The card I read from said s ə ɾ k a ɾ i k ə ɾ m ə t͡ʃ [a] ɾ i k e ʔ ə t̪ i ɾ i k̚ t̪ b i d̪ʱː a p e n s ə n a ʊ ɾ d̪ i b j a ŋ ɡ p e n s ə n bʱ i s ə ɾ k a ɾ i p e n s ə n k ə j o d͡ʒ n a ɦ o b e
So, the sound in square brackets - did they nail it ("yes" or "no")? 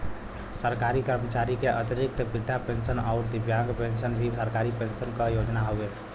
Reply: yes